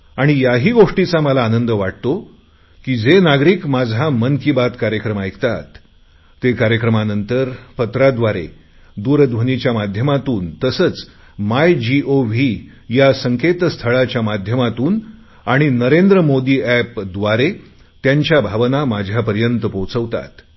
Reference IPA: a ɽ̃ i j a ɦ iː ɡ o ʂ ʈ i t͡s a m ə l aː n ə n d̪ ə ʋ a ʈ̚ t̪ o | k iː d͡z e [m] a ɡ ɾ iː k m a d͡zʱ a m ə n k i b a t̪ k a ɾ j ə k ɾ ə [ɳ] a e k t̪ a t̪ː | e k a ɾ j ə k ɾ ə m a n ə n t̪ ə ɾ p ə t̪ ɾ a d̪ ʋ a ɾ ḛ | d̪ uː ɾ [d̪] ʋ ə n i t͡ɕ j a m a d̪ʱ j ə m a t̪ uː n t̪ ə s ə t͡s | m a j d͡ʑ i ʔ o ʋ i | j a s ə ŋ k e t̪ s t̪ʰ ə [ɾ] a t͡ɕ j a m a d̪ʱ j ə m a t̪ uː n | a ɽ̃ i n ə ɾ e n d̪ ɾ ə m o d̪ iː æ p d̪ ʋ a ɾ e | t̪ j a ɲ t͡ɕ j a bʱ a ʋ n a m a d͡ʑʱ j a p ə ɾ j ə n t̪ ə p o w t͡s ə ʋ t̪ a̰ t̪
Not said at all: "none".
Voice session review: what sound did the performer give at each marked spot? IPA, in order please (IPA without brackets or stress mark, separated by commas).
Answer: n, m, d̪, ɭ